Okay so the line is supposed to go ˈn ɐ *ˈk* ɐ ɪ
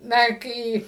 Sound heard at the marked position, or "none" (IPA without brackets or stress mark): k